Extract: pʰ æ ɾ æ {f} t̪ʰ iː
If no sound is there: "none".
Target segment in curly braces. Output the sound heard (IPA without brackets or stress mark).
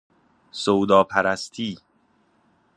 s